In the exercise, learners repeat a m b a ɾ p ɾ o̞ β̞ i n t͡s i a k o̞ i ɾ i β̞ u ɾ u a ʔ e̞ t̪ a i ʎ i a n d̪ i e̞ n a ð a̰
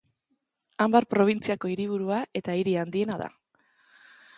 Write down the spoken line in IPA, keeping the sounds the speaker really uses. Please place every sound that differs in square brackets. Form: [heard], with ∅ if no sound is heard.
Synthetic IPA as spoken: a m b a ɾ p ɾ o̞ β̞ i n t͡s i a k o̞ i ɾ i β̞ u ɾ u a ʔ e̞ t̪ a i [ɾ] i a n d̪ i e̞ n a ð a̰